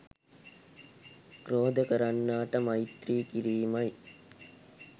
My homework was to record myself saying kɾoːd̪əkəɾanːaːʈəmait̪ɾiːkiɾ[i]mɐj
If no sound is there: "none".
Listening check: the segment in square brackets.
iː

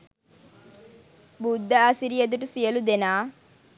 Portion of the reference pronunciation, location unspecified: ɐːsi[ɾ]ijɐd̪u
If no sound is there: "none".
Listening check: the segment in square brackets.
ɾ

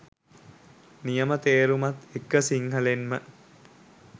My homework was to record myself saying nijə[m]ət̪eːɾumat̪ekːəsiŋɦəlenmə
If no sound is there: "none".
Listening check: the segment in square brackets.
m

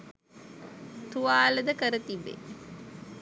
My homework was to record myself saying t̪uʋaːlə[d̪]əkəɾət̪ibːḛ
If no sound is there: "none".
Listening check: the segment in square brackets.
d̪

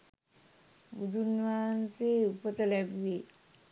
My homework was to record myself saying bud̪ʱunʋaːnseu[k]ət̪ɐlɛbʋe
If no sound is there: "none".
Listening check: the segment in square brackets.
p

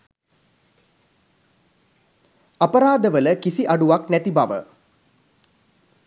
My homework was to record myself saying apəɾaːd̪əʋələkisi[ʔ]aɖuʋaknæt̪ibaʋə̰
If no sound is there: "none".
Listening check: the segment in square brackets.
ʔ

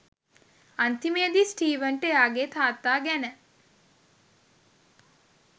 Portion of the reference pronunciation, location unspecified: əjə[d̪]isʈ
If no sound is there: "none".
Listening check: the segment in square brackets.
d̪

